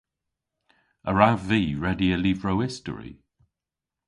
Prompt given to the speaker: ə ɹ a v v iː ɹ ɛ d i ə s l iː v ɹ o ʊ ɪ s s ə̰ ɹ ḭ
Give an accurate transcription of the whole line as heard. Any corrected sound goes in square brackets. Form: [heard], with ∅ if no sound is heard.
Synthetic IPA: ə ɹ a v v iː ɹ ɛ d i ə [∅] l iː v ɹ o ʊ ɪ s [t] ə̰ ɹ ḭ